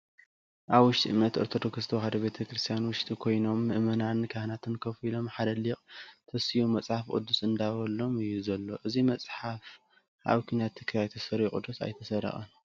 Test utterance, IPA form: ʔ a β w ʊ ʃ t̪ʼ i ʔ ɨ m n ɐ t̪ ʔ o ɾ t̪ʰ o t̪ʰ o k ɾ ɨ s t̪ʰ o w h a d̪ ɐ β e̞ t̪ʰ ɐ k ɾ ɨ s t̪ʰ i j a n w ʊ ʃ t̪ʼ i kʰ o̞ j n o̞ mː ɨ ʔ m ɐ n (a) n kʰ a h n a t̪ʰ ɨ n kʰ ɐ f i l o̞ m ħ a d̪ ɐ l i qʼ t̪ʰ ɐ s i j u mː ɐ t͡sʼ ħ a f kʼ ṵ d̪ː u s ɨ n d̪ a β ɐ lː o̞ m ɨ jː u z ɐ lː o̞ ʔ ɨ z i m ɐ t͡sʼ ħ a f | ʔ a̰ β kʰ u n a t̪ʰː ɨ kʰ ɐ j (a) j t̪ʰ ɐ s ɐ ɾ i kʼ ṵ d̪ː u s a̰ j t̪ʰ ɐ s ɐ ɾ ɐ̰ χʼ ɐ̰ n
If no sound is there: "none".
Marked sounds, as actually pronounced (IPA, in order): a, a

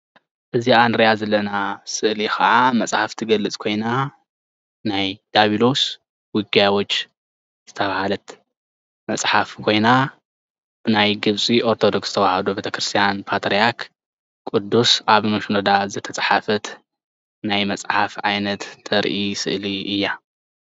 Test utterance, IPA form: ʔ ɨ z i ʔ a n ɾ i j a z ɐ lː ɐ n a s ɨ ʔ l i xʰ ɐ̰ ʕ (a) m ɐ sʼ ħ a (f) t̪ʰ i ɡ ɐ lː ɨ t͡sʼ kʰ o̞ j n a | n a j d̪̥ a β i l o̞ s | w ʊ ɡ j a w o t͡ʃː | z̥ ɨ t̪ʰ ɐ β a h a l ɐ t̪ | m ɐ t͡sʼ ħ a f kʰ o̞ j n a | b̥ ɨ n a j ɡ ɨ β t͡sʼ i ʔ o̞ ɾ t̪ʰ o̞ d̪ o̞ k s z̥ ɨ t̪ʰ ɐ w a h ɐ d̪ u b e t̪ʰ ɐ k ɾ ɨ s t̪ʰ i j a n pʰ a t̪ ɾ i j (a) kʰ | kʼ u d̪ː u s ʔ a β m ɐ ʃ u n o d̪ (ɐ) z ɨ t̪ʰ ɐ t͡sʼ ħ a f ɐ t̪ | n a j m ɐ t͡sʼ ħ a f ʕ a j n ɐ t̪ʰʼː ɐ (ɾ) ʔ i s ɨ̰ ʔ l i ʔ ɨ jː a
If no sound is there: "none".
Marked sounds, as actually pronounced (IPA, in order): a, f, a, a, ɾ

